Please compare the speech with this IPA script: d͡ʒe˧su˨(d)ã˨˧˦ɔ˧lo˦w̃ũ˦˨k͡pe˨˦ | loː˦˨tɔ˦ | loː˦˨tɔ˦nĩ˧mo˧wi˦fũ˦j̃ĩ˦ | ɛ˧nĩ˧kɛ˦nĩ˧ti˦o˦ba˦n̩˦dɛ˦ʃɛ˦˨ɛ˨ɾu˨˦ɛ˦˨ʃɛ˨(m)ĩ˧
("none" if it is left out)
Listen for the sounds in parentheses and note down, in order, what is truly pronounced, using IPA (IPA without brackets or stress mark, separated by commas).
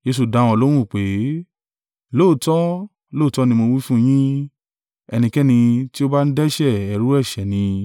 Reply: d, n